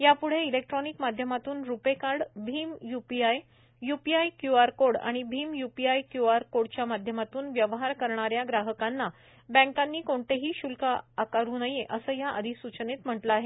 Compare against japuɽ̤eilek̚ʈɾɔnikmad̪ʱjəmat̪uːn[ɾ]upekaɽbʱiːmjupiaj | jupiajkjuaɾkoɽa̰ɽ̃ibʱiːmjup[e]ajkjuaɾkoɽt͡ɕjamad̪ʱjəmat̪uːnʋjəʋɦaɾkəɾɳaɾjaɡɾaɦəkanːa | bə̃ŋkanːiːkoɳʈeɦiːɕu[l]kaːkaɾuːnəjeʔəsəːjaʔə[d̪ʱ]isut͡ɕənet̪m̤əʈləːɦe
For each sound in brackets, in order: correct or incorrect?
correct, incorrect, correct, correct

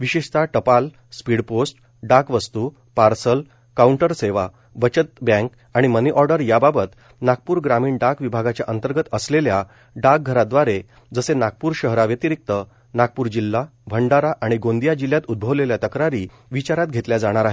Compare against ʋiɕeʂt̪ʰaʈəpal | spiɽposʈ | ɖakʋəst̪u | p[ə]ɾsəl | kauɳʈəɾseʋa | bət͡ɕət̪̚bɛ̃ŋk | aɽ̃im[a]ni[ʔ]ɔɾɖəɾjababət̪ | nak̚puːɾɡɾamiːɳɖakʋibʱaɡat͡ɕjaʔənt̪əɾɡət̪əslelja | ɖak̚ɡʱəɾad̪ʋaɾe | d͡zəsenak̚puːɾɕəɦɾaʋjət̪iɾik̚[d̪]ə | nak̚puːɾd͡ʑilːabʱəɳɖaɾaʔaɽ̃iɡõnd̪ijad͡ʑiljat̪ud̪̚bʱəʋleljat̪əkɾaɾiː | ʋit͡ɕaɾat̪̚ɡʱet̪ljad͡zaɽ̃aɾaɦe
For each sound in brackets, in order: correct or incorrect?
incorrect, incorrect, correct, incorrect

